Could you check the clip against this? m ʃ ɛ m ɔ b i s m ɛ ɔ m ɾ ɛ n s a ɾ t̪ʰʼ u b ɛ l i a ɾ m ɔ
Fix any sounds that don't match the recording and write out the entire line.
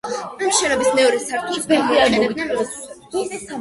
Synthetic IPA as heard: m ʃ ɛ n ɔ b i s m ɛ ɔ ɾ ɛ s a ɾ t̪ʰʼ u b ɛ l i a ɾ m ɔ